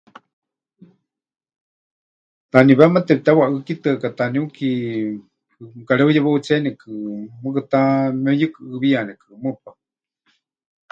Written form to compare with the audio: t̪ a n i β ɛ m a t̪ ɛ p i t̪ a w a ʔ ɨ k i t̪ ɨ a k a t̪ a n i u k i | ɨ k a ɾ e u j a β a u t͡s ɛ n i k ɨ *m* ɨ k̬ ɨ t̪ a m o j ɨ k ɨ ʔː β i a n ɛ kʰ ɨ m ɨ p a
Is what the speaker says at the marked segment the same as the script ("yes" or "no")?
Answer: yes